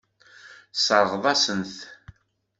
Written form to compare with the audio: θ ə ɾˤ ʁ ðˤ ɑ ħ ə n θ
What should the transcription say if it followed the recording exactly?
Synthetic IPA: s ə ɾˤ ʁ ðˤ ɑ s ə n θ

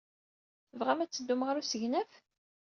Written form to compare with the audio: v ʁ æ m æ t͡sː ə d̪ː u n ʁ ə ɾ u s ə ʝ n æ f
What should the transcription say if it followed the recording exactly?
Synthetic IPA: v ʁ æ m æ t͡sː ə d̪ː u m ʁ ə ɾ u s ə ʝ n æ f

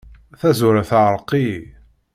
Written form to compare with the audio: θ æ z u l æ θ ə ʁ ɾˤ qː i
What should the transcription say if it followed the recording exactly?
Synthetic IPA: θ æ z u ɾ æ θ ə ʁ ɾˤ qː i

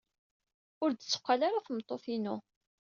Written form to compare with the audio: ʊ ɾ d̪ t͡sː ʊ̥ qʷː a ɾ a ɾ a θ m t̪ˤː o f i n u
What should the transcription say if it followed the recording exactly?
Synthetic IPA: ʊ ɾ d̪ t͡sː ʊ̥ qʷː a l a ɾ a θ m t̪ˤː o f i n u

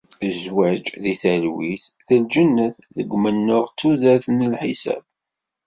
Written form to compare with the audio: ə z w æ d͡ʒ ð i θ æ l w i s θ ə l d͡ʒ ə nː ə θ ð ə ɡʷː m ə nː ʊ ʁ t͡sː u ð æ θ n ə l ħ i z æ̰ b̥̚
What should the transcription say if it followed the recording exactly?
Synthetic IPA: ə z w æ d͡ʒ ð i θ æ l w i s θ ə l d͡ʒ ə nː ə θ ð ə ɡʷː m ə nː ʊ ʁ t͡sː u ð æ θ n ə l ħ i s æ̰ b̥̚

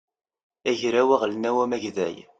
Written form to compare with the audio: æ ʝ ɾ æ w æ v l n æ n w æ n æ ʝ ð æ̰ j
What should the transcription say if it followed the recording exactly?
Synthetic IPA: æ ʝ ɾ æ w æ ʁ l n æ w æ m æ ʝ ð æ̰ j

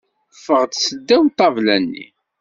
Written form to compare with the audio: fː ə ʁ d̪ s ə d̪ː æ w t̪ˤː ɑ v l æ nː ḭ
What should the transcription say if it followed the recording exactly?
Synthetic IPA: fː ə ʁ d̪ s ə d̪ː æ w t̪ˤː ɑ v l æ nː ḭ

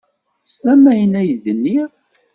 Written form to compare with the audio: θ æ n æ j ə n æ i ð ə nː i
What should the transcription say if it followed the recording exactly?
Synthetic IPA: s æ m æ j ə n æ j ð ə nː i

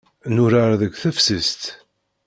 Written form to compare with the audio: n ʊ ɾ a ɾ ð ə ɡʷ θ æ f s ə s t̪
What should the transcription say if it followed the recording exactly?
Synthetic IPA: n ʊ ɾ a ɾ ð ə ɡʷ θ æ f s ə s t̪

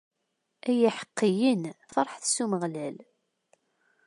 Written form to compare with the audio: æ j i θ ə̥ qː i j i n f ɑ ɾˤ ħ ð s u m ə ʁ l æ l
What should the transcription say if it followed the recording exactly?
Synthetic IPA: æ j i ħ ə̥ qː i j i n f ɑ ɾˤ ħ θ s u m ə ʁ l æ l

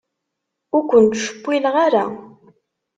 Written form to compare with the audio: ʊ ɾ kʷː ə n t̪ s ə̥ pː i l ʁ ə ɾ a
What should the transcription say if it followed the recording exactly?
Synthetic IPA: ʊ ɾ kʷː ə n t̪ ʃ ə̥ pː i l ʁ a ɾ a

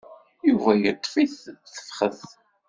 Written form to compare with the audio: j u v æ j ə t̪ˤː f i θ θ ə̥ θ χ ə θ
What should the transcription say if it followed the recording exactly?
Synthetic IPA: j u v æ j ə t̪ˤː f i θ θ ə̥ f χ ə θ

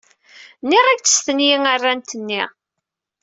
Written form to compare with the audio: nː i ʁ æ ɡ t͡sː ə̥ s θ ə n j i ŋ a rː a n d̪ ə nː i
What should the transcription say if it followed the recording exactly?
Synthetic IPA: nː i ʁ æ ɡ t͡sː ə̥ s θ ə n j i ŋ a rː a n t̪ ə nː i

